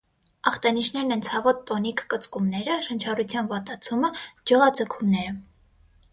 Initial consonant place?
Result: uvular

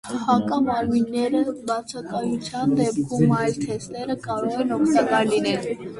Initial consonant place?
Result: glottal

